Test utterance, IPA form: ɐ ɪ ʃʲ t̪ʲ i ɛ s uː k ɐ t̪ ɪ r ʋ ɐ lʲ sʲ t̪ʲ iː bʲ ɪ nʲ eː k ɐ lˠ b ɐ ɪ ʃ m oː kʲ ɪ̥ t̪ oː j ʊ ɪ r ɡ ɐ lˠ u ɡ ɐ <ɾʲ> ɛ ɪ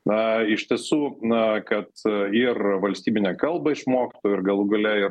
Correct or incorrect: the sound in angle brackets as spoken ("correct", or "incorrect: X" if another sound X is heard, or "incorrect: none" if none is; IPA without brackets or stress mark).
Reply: incorrect: lʲ